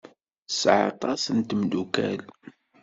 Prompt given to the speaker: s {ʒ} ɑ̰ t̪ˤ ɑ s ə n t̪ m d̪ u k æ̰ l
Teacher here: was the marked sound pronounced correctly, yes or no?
no